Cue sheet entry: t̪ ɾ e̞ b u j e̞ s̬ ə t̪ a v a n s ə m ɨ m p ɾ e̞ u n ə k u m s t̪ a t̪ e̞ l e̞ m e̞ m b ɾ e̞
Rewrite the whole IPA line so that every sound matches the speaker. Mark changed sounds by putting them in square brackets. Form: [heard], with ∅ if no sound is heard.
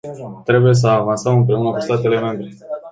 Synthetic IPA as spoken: t̪ ɾ e̞ b u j e̞ s̬ ə [∅] a v a n s ə m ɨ m p ɾ e̞ u n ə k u [∅] s t̪ a t̪ e̞ l e̞ m e̞ m b ɾ e̞